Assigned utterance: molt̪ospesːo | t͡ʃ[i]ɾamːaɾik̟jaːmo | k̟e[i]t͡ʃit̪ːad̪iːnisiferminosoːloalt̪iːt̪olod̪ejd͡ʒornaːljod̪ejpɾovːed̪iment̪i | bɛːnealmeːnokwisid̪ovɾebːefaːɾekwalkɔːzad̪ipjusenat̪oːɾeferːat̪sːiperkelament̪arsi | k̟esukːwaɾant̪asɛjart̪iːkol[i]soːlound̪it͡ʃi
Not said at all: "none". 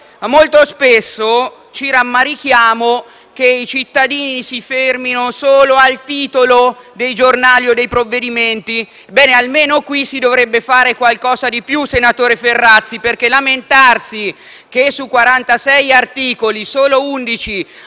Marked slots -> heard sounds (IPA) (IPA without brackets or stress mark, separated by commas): i, i, i